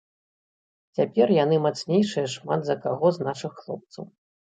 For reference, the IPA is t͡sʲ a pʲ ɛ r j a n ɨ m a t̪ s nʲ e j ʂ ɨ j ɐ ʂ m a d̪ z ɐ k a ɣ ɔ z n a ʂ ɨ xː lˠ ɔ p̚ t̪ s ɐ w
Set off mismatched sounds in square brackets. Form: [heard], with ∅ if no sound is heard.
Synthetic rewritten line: t͡sʲ a pʲ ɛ r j a n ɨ m a t̪ s nʲ e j ʂ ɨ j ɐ ʂ m a d̪ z ɐ k a ɣ ɔ z n a ʂ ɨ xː lˠ ɔ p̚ t̪ s ɐ w